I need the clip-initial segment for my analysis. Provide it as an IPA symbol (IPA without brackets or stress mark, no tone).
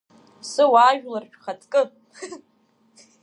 s